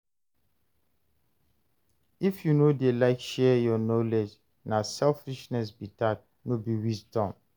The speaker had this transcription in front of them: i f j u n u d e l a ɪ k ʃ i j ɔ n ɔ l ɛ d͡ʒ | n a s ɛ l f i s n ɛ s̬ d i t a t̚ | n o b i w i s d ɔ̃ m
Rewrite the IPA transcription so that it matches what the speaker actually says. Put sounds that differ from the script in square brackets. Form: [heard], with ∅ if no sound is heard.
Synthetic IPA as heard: i f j u n [o] d e l a ɪ k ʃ [ɛ] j ɔ n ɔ l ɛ d͡ʒ | n a s ɛ l f i [ʃ] n ɛ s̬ [b] i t a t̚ | n o b i w i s d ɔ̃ m